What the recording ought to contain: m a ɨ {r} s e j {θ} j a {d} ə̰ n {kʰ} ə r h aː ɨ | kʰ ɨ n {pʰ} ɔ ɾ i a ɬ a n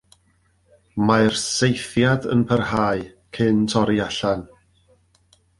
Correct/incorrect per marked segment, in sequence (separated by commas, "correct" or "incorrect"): correct, correct, correct, incorrect, incorrect